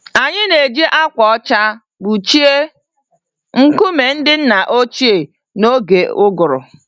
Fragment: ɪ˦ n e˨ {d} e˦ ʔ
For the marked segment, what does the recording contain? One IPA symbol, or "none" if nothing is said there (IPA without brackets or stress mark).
d͡ʒ